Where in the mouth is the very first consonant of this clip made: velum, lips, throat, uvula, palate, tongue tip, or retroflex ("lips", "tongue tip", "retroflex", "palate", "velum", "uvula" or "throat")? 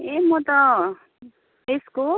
lips